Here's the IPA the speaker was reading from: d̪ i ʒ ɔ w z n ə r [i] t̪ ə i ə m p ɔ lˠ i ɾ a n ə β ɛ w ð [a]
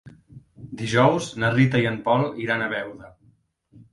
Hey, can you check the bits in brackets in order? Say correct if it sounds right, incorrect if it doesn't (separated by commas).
correct, incorrect